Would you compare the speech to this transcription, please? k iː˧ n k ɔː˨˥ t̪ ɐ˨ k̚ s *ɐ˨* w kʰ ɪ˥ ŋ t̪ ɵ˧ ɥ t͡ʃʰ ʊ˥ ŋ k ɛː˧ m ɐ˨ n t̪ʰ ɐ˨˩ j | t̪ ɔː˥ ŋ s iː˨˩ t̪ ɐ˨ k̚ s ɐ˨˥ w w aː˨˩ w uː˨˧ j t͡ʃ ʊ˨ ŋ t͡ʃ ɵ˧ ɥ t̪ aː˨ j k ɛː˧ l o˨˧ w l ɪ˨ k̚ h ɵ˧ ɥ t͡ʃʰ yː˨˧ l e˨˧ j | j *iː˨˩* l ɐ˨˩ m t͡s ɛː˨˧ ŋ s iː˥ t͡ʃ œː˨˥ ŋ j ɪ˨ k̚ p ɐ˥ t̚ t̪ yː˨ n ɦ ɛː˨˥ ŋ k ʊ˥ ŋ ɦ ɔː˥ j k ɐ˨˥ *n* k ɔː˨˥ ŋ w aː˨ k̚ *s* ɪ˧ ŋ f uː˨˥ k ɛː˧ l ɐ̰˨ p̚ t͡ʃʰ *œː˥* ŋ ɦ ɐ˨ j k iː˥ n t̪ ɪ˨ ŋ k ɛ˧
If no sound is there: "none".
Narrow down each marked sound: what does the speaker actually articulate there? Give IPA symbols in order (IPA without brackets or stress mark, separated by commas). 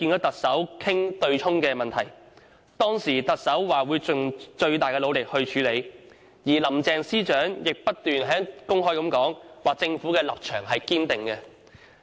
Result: ɐ˨˥, iː˨˩, m, t͡s, œː˨˩